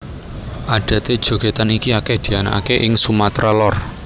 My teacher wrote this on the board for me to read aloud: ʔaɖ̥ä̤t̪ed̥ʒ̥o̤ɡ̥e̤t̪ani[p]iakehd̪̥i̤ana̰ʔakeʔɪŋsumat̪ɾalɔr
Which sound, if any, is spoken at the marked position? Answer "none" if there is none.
k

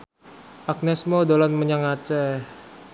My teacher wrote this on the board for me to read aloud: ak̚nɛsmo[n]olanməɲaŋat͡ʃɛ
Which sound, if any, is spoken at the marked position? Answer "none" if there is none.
d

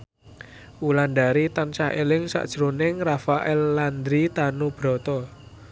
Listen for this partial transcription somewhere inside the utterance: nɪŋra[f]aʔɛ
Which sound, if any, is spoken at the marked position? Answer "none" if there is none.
f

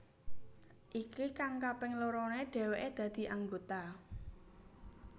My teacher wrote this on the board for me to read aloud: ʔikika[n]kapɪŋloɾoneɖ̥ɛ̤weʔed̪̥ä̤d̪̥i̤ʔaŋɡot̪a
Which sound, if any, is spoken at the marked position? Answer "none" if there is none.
ŋ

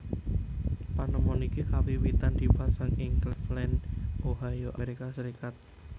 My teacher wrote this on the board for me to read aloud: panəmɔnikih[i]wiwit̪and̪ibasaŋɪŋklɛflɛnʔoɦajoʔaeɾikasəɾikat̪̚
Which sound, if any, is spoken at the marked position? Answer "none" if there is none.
a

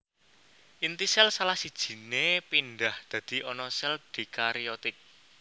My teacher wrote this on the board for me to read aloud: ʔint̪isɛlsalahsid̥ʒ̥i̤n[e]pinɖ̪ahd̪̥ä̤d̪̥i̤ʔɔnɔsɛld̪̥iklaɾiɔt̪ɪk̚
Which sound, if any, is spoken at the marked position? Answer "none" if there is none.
e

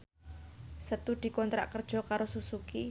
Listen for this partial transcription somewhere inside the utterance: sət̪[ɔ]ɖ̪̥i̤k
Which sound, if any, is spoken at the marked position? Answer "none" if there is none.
u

